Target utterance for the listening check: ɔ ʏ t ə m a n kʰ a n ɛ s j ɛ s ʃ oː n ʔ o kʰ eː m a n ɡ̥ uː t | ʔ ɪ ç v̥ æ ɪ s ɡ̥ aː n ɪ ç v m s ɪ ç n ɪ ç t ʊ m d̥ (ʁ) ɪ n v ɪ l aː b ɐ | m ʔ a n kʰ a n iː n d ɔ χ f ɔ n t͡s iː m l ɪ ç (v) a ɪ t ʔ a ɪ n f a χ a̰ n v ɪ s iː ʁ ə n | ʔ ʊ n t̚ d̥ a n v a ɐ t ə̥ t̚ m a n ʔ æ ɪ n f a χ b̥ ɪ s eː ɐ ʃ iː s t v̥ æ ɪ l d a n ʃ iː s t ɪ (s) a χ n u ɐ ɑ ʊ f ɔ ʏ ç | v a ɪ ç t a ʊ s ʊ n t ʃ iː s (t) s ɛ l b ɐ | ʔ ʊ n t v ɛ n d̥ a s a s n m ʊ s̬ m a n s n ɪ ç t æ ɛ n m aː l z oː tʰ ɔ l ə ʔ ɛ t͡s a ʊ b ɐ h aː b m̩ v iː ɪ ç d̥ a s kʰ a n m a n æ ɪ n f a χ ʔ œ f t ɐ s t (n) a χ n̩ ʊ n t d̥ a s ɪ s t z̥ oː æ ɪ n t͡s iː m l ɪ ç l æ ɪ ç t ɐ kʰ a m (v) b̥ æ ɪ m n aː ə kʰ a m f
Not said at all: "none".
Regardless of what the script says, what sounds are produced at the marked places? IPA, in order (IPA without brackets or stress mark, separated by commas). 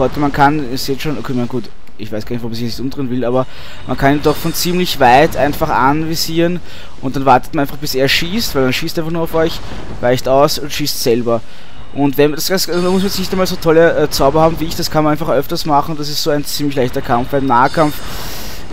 ʁ, v, f, t, m, f